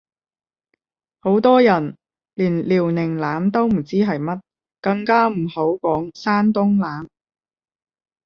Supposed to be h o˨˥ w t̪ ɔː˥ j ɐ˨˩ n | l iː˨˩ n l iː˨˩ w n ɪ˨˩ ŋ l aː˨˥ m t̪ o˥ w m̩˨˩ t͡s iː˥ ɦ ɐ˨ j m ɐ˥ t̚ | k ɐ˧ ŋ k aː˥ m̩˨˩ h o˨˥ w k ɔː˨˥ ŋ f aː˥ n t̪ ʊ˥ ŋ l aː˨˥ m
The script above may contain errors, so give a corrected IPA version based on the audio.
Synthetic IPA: h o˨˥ w t̪ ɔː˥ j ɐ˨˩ n | l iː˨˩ n l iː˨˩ w n ɪ˨˩ ŋ l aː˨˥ m t̪ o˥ w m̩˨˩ t͡s iː˥ ɦ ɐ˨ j m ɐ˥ t̚ | k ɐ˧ ŋ k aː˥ m̩˨˩ h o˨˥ w k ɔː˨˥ ŋ s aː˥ n t̪ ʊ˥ ŋ l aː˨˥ m